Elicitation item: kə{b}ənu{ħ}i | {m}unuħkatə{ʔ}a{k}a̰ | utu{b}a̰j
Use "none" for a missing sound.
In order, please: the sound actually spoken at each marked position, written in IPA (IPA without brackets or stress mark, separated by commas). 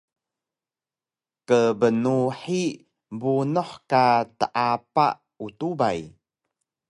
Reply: b, ħ, b, ʔ, p, b